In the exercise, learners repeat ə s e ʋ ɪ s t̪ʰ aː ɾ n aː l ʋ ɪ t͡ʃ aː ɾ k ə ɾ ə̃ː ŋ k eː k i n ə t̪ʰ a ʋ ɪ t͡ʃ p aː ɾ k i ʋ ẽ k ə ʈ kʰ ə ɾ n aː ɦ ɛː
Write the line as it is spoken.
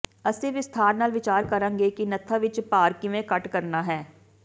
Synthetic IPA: ə s e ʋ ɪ s t̪ʰ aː ɾ n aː l ʋ ɪ t͡ʃ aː ɾ k ə ɾ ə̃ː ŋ ɡ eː k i n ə t̪ʰ a ʋ ɪ t͡ʃ p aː ɾ k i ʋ ẽ k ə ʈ k ə ɾ n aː ɦ ɛː